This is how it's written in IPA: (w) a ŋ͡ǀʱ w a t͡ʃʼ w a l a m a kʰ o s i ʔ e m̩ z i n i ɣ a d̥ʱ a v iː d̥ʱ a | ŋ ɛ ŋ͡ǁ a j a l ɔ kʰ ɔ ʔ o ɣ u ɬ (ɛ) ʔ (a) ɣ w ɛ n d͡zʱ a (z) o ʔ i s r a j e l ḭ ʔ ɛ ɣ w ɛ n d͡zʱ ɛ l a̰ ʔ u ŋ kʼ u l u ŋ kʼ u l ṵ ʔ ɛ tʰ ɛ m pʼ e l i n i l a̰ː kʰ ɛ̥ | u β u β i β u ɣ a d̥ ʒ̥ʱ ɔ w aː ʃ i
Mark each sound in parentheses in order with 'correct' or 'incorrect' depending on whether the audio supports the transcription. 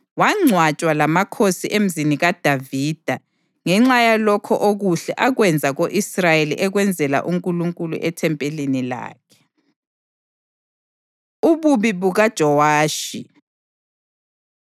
correct, correct, correct, incorrect: ɣ

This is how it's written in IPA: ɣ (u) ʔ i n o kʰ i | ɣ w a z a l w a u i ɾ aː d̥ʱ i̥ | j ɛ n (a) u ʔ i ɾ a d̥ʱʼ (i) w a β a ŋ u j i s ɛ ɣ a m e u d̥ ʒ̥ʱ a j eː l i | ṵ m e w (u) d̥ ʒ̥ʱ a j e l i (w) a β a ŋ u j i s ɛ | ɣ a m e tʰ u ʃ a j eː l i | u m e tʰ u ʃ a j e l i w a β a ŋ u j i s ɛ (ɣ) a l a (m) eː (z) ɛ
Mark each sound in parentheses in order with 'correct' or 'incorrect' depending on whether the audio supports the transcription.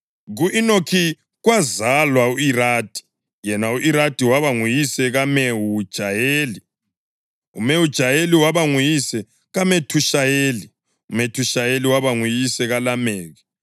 correct, correct, correct, correct, correct, correct, correct, incorrect: ɣ

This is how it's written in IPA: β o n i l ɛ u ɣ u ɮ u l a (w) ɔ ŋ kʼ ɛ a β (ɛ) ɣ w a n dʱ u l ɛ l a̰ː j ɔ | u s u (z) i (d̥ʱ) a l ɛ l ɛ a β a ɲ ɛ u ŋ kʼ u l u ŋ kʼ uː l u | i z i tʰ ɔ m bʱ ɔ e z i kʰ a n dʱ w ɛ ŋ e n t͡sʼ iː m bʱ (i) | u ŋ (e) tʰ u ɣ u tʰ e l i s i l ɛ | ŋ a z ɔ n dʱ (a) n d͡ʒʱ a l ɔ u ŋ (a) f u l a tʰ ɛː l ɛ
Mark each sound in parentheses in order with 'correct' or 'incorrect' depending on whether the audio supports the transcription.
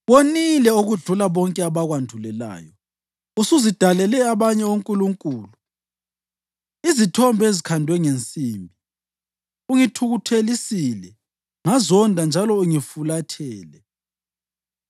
incorrect: β, incorrect: a, correct, correct, correct, incorrect: i, correct, incorrect: i

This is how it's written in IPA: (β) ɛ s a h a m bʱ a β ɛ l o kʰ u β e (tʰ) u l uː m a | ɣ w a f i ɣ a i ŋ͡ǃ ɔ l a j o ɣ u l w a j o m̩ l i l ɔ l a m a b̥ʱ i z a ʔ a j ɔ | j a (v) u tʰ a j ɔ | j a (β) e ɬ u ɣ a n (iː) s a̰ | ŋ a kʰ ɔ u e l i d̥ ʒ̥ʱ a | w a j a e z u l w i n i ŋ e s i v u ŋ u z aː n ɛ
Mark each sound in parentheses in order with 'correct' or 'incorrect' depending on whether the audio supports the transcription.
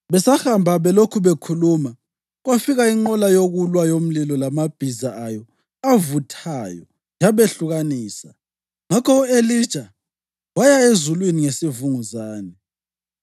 correct, incorrect: kʰ, correct, correct, correct

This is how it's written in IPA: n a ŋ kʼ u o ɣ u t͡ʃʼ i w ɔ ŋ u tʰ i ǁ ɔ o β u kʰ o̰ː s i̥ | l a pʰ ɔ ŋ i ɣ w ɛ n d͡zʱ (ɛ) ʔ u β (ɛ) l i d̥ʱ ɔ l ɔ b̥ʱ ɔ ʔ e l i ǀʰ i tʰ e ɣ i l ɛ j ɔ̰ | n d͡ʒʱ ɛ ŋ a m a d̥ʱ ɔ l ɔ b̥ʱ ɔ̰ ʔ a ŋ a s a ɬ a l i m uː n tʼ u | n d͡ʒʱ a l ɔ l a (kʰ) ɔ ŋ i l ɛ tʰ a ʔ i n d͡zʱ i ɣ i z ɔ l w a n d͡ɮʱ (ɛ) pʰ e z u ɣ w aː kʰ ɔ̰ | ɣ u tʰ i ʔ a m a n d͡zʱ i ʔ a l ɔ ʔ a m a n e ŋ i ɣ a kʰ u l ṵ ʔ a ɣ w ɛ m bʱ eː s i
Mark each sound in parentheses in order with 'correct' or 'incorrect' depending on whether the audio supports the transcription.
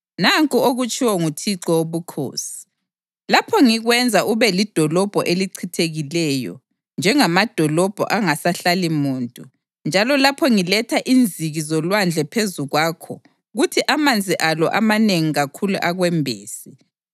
incorrect: a, correct, incorrect: pʰ, correct

